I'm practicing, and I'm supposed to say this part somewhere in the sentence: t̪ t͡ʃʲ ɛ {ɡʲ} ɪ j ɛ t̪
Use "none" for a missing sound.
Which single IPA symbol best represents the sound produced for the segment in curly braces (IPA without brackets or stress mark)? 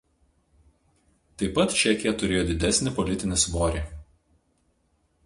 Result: kʲ